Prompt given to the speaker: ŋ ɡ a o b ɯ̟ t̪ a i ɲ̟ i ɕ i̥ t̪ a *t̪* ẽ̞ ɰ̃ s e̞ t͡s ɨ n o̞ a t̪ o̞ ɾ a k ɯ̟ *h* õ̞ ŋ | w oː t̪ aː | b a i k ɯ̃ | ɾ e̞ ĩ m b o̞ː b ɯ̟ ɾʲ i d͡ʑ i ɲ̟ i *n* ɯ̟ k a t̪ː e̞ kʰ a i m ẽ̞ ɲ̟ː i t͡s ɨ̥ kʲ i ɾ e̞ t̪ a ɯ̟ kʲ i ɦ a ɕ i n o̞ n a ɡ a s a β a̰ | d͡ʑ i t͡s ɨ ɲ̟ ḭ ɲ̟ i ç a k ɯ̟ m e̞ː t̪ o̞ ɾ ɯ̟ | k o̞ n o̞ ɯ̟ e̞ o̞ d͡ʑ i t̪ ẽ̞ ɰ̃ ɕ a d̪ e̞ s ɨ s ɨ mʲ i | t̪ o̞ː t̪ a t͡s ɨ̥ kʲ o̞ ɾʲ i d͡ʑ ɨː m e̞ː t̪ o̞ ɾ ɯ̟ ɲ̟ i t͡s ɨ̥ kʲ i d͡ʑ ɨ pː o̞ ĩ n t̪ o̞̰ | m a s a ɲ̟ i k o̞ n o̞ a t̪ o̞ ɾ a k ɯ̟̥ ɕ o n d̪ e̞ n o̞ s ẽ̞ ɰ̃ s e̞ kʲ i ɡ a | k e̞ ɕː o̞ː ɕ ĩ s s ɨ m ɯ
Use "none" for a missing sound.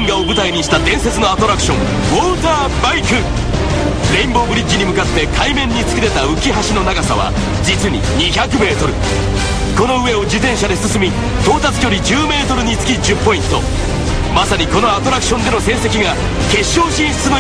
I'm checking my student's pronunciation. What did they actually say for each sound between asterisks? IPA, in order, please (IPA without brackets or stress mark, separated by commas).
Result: d̪, ɕ, m